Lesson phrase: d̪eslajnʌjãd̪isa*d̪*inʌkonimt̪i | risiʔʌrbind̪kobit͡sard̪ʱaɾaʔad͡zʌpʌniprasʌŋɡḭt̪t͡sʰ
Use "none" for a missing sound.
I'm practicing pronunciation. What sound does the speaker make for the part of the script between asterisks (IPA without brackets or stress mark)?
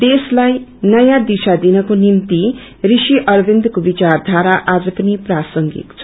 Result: d̪